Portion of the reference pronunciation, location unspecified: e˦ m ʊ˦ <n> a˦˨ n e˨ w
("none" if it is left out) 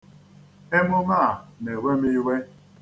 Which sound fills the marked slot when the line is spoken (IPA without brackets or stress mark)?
m